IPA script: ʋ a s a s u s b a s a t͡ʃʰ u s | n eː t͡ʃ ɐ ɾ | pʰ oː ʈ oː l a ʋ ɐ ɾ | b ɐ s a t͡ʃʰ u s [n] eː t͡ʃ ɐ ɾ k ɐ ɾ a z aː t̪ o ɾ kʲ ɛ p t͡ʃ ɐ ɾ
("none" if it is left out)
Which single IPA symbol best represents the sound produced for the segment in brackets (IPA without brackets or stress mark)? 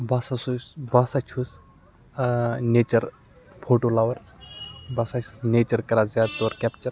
n